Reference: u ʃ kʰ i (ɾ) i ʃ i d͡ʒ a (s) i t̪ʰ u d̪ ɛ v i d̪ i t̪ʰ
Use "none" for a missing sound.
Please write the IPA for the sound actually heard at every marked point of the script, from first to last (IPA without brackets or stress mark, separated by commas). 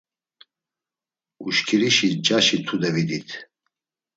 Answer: ɾ, ʃ